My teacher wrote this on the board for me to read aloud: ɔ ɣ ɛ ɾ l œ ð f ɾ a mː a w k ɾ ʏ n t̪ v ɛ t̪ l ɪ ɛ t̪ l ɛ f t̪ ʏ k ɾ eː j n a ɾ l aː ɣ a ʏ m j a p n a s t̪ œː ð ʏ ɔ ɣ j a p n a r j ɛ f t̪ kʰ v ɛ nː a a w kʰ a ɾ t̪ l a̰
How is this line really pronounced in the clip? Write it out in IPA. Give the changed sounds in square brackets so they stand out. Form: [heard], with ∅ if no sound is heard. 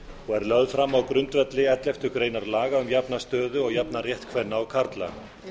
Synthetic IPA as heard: ɔ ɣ ɛ ɾ l œ ð f ɾ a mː a w k ɾ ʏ n t̪ v ɛ t̪ l ɪ ɛ t̪ l ɛ f t̪ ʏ k ɾ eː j n a ɾ l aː ɣ a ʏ m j a p n a s t̪ œː ð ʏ ɔ ɣ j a p n a r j ɛ [h] t̪ kʰ v ɛ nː a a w kʰ a ɾ t̪ l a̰

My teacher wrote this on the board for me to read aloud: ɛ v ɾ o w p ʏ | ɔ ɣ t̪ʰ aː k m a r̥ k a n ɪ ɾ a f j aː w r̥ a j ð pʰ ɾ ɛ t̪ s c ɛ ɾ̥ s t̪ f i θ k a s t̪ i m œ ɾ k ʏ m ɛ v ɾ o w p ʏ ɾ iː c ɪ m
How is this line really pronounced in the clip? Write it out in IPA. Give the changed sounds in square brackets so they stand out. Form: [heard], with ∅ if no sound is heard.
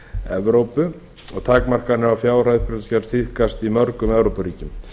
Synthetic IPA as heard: ɛ v ɾ o w p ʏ | ɔ ɣ t̪ʰ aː k m a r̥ k a n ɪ ɾ a f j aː w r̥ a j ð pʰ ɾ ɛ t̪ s c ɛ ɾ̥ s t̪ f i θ k a s t̪ i m œ ɾ k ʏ m ɛ v ɾ o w p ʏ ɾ iː c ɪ m

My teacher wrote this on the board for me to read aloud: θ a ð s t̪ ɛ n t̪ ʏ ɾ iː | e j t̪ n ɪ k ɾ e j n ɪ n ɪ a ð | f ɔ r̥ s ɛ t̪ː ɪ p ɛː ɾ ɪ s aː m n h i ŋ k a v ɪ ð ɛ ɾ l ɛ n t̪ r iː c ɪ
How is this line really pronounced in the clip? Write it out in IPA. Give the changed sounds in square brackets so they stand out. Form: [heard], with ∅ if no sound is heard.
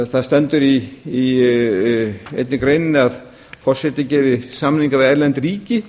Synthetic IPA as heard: θ a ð s t̪ ɛ n t̪ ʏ ɾ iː | e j t̪ n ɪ k ɾ e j n ɪ n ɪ a ð | f ɔ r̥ s ɛ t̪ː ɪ [c] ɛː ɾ ɪ s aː m n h i ŋ k a v ɪ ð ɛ ɾ l ɛ n t̪ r iː c ɪ

